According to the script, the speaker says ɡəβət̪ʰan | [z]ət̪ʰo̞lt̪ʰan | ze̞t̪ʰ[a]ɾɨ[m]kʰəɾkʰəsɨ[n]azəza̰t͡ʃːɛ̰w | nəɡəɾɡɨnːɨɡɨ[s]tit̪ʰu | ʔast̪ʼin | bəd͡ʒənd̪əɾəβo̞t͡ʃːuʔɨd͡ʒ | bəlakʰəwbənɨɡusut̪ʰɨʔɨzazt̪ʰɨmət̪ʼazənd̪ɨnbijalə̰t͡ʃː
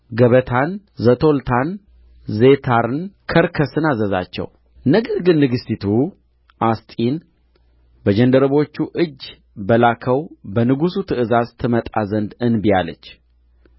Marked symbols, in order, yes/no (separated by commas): yes, yes, no, yes, yes